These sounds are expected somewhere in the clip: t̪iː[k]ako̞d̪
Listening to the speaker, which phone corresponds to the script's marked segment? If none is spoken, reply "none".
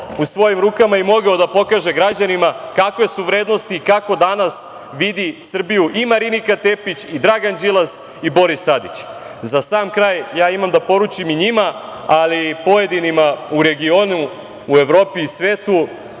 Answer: k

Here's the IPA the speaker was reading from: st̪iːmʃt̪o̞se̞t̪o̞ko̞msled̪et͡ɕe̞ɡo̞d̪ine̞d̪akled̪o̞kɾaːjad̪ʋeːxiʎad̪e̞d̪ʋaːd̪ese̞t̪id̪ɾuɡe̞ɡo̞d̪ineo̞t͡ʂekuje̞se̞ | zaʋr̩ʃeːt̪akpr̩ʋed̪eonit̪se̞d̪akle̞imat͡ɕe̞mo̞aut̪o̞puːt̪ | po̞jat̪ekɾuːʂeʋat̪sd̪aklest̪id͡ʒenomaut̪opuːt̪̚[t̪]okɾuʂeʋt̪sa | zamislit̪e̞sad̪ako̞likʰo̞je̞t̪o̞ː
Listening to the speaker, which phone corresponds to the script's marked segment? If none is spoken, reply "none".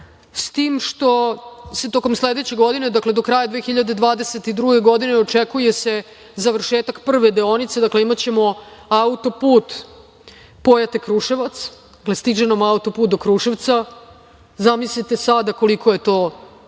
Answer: d̪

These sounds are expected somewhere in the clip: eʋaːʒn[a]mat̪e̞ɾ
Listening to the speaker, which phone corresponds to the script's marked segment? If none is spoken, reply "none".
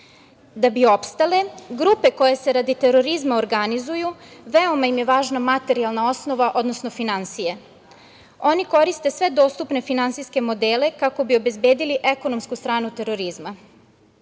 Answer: a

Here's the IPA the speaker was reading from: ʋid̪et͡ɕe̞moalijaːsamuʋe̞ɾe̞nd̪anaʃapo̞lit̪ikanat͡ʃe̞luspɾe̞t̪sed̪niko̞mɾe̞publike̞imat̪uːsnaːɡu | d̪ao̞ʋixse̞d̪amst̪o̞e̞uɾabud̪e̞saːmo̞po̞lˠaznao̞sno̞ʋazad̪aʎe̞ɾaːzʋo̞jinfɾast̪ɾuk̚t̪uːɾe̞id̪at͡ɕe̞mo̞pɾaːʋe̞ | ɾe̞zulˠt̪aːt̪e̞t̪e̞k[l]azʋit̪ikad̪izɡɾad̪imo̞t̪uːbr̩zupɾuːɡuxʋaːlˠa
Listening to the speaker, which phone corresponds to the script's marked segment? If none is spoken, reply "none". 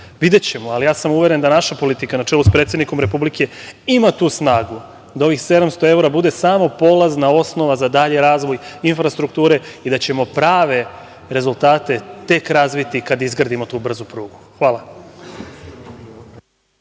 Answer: ɾ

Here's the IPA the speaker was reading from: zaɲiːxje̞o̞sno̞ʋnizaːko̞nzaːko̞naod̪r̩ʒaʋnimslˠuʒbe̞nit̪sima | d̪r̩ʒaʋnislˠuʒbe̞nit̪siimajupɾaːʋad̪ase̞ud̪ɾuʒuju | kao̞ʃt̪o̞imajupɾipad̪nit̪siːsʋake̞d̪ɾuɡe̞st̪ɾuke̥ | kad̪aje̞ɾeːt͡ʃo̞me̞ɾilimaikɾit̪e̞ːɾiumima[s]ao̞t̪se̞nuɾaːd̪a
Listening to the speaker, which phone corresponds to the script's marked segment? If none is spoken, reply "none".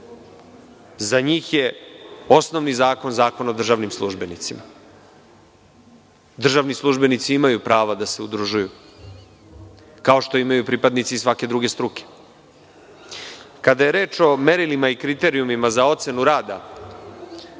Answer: z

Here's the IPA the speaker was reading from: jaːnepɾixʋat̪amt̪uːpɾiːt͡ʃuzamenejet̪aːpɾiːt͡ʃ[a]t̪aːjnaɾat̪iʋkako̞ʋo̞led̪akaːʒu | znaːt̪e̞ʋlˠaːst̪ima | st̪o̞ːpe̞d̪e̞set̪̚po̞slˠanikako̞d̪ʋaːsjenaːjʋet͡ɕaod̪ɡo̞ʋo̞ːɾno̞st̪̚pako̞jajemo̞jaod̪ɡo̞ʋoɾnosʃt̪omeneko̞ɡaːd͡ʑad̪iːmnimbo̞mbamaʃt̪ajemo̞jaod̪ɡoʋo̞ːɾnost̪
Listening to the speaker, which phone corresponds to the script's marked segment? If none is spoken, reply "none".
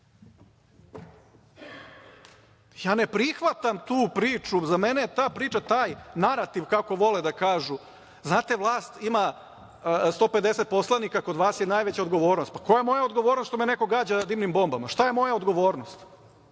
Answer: a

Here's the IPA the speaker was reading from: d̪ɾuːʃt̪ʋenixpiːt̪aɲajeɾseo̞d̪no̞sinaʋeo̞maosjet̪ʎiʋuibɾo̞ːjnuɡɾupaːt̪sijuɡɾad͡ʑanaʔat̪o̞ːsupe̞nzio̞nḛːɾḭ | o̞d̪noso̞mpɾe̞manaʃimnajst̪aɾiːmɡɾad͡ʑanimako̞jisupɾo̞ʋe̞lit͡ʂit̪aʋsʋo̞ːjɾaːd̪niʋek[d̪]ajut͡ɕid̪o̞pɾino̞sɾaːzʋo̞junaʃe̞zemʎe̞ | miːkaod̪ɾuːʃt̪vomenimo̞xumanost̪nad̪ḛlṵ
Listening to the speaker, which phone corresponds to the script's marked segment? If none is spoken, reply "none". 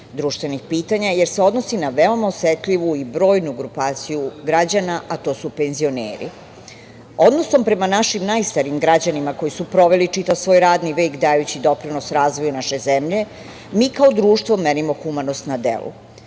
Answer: d̪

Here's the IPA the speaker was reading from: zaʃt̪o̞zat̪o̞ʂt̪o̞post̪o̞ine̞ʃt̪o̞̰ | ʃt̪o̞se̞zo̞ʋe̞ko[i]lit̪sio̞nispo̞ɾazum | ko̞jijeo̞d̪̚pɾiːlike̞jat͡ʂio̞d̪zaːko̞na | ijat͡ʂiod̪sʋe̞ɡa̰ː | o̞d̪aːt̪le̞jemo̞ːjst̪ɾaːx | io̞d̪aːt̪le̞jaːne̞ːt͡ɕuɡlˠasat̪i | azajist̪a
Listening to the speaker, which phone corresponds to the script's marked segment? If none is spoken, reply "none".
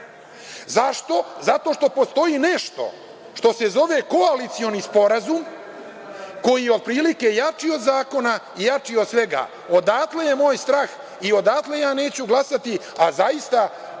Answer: a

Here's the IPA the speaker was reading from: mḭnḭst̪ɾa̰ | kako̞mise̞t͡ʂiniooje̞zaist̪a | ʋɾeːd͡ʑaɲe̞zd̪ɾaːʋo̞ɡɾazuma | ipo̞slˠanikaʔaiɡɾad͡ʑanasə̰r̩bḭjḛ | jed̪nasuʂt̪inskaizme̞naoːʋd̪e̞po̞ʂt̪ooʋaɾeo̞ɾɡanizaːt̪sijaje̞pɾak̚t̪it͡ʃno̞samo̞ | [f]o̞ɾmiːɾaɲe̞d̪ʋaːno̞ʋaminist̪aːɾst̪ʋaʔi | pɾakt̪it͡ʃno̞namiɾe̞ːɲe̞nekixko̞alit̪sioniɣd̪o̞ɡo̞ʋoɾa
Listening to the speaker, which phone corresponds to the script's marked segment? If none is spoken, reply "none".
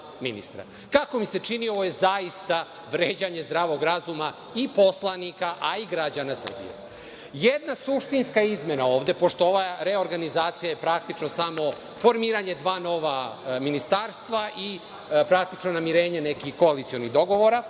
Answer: f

